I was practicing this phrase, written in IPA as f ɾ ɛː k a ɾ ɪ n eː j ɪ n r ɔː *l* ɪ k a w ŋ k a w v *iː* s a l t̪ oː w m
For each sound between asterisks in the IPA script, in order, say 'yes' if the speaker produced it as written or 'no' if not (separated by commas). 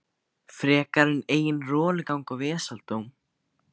yes, no